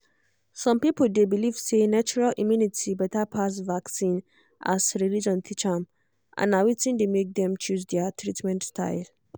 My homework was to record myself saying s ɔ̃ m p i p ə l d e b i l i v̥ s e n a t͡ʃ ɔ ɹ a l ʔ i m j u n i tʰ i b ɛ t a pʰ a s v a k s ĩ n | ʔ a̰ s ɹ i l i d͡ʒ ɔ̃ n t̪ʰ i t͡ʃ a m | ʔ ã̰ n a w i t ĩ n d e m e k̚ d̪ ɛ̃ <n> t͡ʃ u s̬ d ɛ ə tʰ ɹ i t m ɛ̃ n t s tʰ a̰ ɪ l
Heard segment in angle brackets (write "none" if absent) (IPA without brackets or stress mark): m